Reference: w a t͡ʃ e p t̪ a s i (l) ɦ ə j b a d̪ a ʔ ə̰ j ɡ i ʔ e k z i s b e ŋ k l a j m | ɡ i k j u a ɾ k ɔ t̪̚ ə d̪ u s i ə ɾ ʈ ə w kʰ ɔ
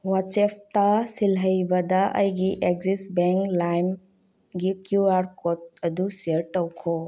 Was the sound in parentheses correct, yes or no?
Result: yes